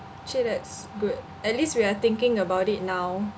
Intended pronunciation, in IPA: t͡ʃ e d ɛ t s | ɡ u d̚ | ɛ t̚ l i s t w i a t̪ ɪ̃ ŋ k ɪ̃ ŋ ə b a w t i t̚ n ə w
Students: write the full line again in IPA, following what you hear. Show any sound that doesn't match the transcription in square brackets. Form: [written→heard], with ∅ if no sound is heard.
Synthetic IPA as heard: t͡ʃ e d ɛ t s | ɡ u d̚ | ɛ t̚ l i s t w i a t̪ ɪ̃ ŋ k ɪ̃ ŋ ə b a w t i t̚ n [ə→a] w

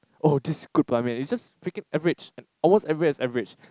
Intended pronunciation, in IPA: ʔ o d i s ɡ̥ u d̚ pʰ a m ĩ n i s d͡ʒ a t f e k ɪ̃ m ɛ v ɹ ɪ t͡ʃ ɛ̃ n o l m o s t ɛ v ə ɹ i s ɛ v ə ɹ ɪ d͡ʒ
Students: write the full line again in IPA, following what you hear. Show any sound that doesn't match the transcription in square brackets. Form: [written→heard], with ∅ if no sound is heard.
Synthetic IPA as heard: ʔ o d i s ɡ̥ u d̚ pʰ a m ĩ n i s d͡ʒ a [t→s] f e k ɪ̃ [m→ŋ] ɛ v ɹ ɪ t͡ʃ ɛ̃ n [o→ɔ] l m o s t ɛ v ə ɹ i s ɛ v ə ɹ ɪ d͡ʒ

